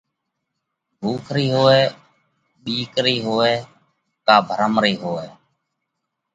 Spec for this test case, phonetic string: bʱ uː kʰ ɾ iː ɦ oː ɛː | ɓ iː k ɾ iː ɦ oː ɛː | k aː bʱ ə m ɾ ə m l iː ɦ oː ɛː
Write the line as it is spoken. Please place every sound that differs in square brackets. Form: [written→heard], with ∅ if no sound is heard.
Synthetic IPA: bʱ uː kʰ ɾ iː ɦ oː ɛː | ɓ iː k ɾ iː ɦ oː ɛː | k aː bʱ ə [m→∅] ɾ ə m [l→ɾ] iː ɦ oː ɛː